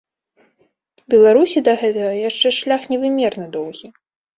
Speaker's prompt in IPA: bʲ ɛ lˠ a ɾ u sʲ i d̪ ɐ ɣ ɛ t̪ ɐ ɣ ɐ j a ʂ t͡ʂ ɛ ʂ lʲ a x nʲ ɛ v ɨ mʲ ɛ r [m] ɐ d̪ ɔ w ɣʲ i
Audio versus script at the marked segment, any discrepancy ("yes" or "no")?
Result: yes